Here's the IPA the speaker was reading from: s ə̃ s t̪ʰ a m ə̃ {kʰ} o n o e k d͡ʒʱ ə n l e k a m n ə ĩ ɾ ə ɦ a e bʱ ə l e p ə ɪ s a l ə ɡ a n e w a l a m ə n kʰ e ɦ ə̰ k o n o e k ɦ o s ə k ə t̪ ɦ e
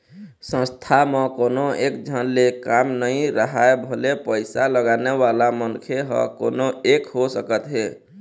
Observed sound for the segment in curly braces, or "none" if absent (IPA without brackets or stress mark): k